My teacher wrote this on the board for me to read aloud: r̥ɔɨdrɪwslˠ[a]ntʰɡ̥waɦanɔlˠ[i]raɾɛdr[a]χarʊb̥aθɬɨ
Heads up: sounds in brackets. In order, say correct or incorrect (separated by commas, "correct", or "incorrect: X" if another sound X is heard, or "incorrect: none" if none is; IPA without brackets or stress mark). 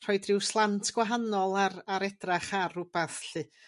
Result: correct, incorrect: a, correct